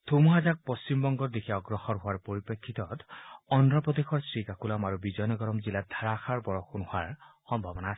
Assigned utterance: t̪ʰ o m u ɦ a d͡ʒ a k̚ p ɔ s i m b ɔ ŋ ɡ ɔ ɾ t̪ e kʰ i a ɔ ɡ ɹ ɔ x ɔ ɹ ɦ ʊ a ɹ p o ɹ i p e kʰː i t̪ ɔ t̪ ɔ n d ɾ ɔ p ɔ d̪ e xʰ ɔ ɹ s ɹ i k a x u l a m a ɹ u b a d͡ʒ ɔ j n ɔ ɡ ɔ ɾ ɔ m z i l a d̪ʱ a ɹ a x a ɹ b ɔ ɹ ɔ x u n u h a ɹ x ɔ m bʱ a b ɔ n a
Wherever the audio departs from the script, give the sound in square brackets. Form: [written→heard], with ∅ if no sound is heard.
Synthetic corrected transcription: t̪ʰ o m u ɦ a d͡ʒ a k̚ p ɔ s i m b ɔ ŋ ɡ ɔ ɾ [t̪→d̪] e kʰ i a ɔ ɡ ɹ ɔ x ɔ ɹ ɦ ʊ a ɹ p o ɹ i p e kʰː i t̪ ɔ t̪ ɔ n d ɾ ɔ p ɔ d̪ e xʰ ɔ ɹ s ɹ i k a [x→k] u l a m a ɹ u b [a→i] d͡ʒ ɔ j n ɔ ɡ ɔ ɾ ɔ m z i l a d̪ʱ a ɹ a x a ɹ b ɔ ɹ ɔ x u n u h a ɹ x ɔ m bʱ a b ɔ n a

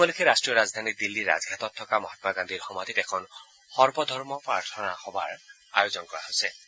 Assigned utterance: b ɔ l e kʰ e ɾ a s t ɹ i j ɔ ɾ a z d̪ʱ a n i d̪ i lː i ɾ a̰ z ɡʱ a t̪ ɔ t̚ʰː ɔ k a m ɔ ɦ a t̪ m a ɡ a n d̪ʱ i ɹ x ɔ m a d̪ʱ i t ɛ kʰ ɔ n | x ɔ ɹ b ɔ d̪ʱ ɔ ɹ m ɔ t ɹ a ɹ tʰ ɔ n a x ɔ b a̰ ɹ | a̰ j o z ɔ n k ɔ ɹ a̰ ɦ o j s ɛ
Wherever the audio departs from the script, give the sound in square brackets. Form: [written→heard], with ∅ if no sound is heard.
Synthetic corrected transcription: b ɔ l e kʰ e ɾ a s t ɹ i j ɔ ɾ a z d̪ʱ a n i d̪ i lː i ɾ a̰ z ɡʱ a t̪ ɔ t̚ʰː ɔ k a m ɔ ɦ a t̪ m a ɡ a n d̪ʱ i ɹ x ɔ m a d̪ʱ i t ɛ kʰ ɔ n | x ɔ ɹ b ɔ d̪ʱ ɔ ɹ m ɔ [t→p] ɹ a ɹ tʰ ɔ n a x ɔ b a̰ ɹ | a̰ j o z ɔ n k ɔ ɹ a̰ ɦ o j s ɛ

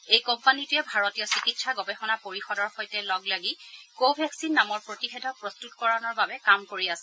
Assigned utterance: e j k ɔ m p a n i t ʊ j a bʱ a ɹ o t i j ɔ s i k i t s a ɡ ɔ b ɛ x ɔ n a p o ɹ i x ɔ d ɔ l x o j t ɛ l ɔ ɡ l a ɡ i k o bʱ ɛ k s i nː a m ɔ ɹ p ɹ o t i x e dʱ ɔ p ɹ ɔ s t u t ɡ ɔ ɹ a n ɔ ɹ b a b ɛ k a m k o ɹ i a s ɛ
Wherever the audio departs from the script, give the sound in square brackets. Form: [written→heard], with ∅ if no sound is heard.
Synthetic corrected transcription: e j k ɔ m p a n i t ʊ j [a→ɛ] bʱ a ɹ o t i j ɔ s i k i t s a ɡ ɔ b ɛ x ɔ n a p o ɹ i x ɔ d ɔ [l→ɹ] x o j t ɛ l ɔ ɡ l a ɡ i k o bʱ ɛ k s i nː a m ɔ ɹ p ɹ o t i x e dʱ ɔ p ɹ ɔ s t u t [ɡ→k] ɔ ɹ a n ɔ ɹ b a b ɛ k a m k o ɹ i a s ɛ

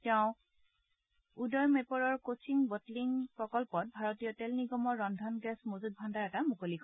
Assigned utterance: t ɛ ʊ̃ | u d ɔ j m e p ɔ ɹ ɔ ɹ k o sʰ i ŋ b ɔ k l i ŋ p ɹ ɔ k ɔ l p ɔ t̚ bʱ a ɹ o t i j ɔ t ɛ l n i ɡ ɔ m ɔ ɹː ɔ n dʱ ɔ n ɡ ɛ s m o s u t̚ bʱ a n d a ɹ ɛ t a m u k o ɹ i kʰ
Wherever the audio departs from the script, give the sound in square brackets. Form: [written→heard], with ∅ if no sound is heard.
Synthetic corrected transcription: t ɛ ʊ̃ | u d ɔ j m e p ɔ ɹ ɔ ɹ k o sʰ i ŋ b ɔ [k→t] l i ŋ p ɹ ɔ k ɔ l p ɔ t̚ bʱ a ɹ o t i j ɔ t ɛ l n i ɡ ɔ m ɔ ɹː ɔ n dʱ ɔ n ɡ ɛ s m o [s→z] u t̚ bʱ a n d a ɹ ɛ t a m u k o [ɹ→l] i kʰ

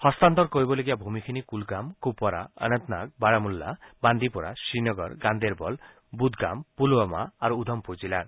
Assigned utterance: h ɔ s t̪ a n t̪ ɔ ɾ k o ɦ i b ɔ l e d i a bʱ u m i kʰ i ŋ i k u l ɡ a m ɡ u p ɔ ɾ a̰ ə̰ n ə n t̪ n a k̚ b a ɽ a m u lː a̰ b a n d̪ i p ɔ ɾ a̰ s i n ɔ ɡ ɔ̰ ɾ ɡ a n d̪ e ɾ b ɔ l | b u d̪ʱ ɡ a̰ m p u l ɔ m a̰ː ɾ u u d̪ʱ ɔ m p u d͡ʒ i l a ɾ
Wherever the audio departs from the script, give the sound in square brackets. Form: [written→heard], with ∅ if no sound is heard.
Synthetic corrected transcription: h ɔ s t̪ a n t̪ ɔ ɾ k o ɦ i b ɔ l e [d→ɡ] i a bʱ u m i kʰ i [ŋ→n] i k u l ɡ a m [ɡ→k] u p ɔ ɾ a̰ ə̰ n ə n t̪ n a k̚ b a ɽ a m u lː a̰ b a n d̪ i p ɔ ɾ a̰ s i n ɔ ɡ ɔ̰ ɾ ɡ a n d̪ e ɾ b ɔ l | b u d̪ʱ ɡ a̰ m p u l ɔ m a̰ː ɾ u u d̪ʱ ɔ m p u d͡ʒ i l a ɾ

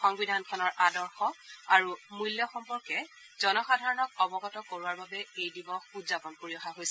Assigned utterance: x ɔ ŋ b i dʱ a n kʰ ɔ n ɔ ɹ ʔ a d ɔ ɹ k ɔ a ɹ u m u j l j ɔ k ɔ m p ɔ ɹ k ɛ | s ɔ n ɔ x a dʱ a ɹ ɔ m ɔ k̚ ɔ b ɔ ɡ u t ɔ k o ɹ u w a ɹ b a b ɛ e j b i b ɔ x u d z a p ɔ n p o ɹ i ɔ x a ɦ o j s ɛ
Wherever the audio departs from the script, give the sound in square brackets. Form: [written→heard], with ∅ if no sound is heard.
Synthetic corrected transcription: x ɔ ŋ b i dʱ a n kʰ ɔ n ɔ ɹ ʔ a d ɔ ɹ [k→x] ɔ a ɹ u m u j l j ɔ [k→x] ɔ m p ɔ ɹ k ɛ | [s→z] ɔ n ɔ x a dʱ a ɹ ɔ [m→n] ɔ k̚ ɔ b ɔ ɡ [u→ɔ] t ɔ k o ɹ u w a ɹ b a b ɛ e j [b→d] i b ɔ x u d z a p ɔ n p o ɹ i ɔ x a ɦ o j s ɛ

